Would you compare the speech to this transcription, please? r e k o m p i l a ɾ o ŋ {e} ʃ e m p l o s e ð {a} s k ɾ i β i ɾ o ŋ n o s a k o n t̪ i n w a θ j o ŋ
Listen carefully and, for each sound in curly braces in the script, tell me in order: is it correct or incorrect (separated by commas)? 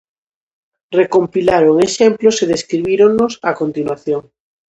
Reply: correct, incorrect